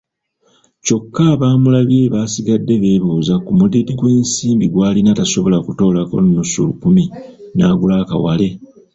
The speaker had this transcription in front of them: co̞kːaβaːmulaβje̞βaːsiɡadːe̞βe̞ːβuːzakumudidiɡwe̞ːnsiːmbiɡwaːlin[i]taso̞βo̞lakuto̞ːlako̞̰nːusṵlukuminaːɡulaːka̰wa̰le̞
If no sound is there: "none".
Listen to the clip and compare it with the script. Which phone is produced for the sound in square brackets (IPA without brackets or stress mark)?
a